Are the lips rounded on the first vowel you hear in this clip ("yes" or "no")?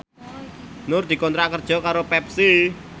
yes